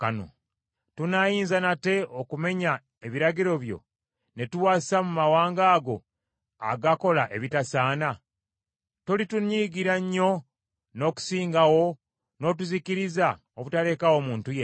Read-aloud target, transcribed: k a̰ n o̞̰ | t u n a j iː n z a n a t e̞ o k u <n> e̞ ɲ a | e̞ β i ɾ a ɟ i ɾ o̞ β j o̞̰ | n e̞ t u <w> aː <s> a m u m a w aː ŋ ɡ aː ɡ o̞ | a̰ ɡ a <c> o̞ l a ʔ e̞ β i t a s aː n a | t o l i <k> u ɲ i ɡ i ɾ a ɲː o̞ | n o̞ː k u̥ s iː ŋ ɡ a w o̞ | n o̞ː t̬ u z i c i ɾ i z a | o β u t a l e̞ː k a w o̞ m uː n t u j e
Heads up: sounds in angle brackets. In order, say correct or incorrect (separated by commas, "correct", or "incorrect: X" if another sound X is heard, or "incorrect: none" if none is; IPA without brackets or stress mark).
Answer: incorrect: m, correct, correct, incorrect: k, incorrect: t